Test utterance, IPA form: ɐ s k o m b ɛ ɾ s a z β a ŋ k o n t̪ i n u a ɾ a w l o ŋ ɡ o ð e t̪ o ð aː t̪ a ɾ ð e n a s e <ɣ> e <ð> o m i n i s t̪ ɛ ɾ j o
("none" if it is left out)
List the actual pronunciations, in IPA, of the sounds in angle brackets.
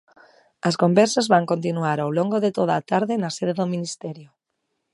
ð, ð

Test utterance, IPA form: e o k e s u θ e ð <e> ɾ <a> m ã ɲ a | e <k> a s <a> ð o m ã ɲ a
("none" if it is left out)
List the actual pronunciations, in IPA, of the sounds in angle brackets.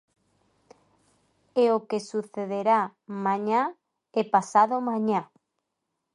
e, a, p, a

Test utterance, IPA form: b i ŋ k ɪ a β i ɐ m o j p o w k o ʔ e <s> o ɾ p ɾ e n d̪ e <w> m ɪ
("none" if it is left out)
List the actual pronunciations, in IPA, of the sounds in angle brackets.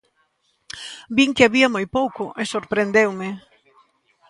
s, w

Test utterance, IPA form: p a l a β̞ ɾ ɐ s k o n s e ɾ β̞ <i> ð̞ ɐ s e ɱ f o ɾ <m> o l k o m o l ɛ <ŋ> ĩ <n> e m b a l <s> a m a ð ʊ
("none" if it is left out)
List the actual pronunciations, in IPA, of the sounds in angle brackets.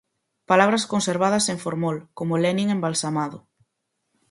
a, m, n, ŋ, s

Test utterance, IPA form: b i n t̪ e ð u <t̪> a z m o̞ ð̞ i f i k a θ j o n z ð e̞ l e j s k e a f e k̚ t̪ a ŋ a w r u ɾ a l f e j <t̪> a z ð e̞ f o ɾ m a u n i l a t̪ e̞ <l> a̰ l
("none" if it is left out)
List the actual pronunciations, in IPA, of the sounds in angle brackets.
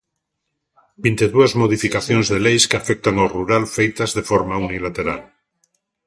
none, t̪, ɾ

